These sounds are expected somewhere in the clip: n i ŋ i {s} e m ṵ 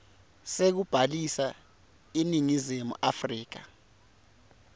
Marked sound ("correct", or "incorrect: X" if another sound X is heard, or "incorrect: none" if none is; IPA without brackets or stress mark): incorrect: z